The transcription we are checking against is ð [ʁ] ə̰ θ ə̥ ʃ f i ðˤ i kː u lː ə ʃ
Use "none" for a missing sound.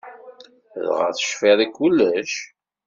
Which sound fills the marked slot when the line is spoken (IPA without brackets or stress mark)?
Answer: ʁ